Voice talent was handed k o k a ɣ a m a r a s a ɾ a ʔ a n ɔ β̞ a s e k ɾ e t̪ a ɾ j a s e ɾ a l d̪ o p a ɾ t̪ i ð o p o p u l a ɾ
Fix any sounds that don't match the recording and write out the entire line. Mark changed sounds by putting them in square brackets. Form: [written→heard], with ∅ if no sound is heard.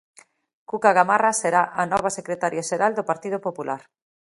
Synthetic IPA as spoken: k [o→u] k a ɣ a m a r a s [a→e] ɾ a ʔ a n ɔ β̞ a s e k ɾ e t̪ a ɾ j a [s→ʃ] e ɾ a l d̪ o p a ɾ t̪ i ð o p o p u l a ɾ